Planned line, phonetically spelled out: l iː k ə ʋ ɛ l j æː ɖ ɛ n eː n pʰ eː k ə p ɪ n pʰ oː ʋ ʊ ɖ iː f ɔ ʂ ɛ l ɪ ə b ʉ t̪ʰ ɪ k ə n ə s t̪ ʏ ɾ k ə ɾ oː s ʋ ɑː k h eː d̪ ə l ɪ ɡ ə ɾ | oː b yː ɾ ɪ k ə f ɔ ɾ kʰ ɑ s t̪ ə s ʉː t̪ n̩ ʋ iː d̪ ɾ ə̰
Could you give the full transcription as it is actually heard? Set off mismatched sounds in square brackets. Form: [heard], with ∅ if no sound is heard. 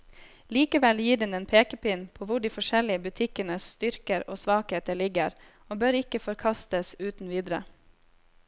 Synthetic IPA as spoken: l iː k ə ʋ ɛ l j [iː] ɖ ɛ n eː n pʰ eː k ə p ɪ n pʰ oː ʋ ʊ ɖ iː f ɔ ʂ ɛ l ɪ ə b ʉ t̪ʰ ɪ k ə n ə s t̪ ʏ ɾ k ə ɾ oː s ʋ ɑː k h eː [t̪] ə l ɪ ɡ ə ɾ | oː b [øː] ɾ ɪ k ə f ɔ ɾ kʰ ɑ s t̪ ə s ʉː t̪ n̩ ʋ iː d̪ ɾ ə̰

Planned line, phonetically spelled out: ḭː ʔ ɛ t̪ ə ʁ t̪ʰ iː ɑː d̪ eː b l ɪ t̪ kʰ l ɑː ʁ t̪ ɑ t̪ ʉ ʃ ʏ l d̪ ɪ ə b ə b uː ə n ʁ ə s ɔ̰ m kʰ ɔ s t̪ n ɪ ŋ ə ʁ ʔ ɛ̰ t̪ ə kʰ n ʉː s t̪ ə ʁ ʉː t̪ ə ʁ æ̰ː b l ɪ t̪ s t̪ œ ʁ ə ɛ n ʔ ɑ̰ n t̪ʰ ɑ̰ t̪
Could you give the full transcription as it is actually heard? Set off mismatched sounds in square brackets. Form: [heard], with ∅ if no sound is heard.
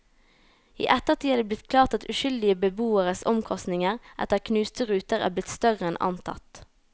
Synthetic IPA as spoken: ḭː ʔ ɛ t̪ ə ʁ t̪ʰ iː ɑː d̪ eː b l ɪ t̪ kʰ l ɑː ʁ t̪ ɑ t̪ ʉ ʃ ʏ l d̪ ɪ ə b ə b uː ə [∅] ʁ ə s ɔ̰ m kʰ ɔ s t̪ n ɪ ŋ ə ʁ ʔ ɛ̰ t̪ ə kʰ n ʉː s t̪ ə ʁ ʉː t̪ ə ʁ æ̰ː b l ɪ t̪ s t̪ œ ʁ ə ɛ n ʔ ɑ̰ n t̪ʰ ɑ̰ t̪

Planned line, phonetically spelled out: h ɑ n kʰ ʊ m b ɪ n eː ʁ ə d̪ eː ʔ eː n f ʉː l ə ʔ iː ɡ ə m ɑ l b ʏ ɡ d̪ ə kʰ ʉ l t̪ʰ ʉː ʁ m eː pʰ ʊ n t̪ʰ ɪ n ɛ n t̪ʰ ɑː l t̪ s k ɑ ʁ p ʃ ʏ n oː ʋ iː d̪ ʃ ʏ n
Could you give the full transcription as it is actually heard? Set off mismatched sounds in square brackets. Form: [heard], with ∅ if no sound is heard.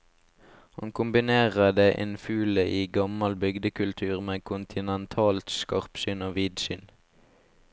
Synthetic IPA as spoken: h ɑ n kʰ ʊ m b ɪ n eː ʁ ə d̪ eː ʔ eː n f ʉː l ə ʔ iː ɡ [ɑ] m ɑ l b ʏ ɡ d̪ ə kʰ ʉ l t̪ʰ ʉː ʁ m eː [kʰ] ʊ n t̪ʰ ɪ n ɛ n t̪ʰ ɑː l t̪ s k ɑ ʁ p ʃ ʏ n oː ʋ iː d̪ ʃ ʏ n

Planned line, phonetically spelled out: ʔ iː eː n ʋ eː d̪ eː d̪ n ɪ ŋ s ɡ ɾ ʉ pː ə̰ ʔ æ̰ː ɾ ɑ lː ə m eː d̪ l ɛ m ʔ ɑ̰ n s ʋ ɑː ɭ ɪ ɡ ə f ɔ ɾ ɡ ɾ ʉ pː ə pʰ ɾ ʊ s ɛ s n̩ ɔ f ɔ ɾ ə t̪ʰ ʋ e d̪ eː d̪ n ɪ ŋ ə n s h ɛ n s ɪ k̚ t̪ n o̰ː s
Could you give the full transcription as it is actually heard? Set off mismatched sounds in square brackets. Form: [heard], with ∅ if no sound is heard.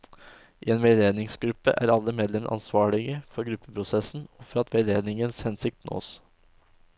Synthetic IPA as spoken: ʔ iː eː n ʋ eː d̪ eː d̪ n ɪ ŋ s ɡ ɾ ʉ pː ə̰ ʔ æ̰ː ɾ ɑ lː ə m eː d̪ l ɛ m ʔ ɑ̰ n s ʋ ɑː ɭ ɪ ɡ ə f ɔ ɾ ɡ ɾ ʉ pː ə pʰ ɾ ʊ s ɛ s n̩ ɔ f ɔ ɾ [ɑ] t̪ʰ ʋ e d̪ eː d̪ n ɪ ŋ ə n s h ɛ n s ɪ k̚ t̪ n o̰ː s

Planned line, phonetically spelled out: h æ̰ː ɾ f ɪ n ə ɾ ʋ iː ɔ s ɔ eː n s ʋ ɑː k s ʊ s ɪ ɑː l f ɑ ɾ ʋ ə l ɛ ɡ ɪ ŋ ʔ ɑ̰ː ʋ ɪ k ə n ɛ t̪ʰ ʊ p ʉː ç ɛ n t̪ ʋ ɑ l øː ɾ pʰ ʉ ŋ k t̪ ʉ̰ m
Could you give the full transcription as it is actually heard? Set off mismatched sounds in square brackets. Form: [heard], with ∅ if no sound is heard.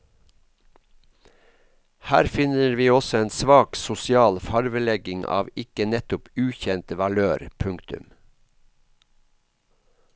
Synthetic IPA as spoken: h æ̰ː ɾ f ɪ n ə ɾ ʋ iː ɔ s ɔ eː n s ʋ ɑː k s ʊ s ɪ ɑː l f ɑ ɾ ʋ ə l ɛ ɡ ɪ ŋ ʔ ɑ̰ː ʋ ɪ k ə n ɛ [t̪] ʊ p ʉː ç ɛ n t̪ ʋ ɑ l øː ɾ pʰ ʉ ŋ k t̪ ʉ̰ m

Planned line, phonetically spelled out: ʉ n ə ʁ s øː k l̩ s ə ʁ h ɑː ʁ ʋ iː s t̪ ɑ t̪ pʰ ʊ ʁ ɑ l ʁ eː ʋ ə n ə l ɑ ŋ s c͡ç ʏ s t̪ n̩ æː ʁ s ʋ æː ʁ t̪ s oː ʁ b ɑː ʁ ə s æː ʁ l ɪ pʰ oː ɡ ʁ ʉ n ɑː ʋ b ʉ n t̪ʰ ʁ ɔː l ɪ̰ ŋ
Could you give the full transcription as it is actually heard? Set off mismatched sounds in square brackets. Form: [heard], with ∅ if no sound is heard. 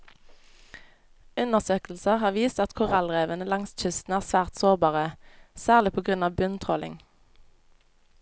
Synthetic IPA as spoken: ʉ n ə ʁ s øː k l̩ s ə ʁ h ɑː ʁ ʋ iː s t̪ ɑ t̪ [kʰ] ʊ ʁ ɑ l ʁ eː ʋ ə n ə l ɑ ŋ s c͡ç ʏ s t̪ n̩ æː ʁ s ʋ æː ʁ t̪ s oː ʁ b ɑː ʁ ə s æː ʁ l ɪ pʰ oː ɡ ʁ ʉ n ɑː ʋ b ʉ n t̪ʰ ʁ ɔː l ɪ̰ ŋ

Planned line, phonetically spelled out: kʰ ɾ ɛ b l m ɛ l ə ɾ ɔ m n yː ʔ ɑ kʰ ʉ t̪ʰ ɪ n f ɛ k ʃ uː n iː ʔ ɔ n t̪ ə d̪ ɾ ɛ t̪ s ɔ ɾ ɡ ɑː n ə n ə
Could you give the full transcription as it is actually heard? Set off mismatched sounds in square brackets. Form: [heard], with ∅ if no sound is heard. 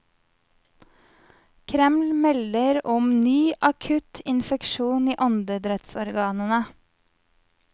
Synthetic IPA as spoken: kʰ ɾ ɛ [m] l m ɛ l ə ɾ ɔ m n yː ʔ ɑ kʰ ʉ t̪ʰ ɪ n f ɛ k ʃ uː n iː ʔ ɔ n [d̪] ə d̪ ɾ ɛ t̪ s ɔ ɾ ɡ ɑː n ə n ə

